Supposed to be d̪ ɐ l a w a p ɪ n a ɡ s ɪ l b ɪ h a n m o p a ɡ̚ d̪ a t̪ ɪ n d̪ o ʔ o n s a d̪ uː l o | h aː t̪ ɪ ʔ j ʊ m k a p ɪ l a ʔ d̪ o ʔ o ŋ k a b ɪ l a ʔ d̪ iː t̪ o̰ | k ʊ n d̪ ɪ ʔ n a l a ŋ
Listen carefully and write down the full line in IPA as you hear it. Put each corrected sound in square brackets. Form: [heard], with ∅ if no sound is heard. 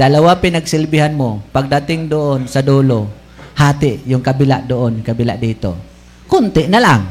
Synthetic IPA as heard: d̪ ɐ l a w a p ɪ n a ɡ s ɪ l b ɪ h a n m o p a ɡ̚ d̪ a t̪ ɪ [ŋ] d̪ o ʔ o n s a d̪ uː l o | h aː t̪ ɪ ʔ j ʊ [ŋ] k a [b] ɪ l a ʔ d̪ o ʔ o [n] k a b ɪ l a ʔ d̪ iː t̪ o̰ | k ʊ n [t̪] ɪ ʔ n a l a ŋ